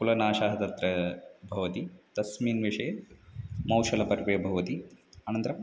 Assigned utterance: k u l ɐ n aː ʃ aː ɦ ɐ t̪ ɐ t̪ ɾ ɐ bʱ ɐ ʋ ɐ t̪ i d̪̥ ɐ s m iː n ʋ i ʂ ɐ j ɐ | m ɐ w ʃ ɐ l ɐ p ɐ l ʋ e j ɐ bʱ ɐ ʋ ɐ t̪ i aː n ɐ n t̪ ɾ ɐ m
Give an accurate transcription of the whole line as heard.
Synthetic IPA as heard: k u l ɐ n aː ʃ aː ɦ ɐ t̪ ɐ t̪ ɾ ɐ bʱ ɐ ʋ ɐ t̪ i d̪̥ ɐ s m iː n ʋ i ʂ ɐ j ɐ | m ɐ w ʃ ɐ l ɐ p ɐ ɾ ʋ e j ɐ bʱ ɐ ʋ ɐ t̪ i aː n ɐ n t̪ ɾ ɐ m